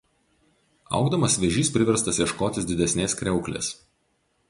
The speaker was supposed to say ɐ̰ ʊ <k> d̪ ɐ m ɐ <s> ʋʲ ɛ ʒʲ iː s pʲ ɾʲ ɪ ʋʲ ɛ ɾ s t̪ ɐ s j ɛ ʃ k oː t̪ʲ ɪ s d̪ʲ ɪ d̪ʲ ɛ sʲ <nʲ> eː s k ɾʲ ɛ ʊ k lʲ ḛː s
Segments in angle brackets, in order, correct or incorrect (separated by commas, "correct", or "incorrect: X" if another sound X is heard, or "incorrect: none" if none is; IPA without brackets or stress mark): incorrect: ɡ, correct, correct